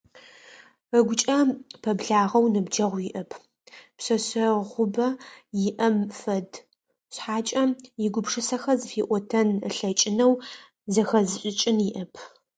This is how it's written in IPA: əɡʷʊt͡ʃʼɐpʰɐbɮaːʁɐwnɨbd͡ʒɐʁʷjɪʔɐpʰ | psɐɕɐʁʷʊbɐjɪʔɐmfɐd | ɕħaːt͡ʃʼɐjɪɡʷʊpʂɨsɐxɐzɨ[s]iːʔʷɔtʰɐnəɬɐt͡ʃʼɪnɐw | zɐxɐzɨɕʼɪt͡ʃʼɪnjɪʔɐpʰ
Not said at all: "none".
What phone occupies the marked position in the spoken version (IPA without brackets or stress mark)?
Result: f